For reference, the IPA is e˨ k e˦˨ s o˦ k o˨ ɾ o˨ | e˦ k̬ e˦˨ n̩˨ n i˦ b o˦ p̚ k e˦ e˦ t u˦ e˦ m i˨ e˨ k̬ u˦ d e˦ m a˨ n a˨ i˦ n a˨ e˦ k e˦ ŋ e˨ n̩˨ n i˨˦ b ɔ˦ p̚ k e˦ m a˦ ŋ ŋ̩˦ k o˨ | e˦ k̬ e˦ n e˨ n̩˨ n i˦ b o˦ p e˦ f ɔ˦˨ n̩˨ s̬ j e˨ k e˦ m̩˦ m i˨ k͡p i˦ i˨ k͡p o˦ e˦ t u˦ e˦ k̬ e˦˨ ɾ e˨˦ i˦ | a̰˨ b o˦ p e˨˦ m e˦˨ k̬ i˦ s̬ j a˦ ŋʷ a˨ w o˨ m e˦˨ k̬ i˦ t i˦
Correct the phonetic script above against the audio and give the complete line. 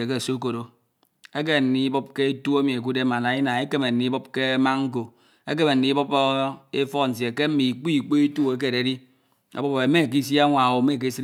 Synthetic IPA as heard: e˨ k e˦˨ s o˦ k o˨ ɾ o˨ | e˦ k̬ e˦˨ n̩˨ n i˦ b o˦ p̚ k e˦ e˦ t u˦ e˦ m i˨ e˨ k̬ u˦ d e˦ m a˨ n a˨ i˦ n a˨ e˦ k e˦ m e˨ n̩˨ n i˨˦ b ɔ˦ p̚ k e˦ m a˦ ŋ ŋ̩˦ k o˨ | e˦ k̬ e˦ m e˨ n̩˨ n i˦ b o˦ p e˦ f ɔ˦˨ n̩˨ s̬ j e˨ k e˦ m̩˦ m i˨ k͡p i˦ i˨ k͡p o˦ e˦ t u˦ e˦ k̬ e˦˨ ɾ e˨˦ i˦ | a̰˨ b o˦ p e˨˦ m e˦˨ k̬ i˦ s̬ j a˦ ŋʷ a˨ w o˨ m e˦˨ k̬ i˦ s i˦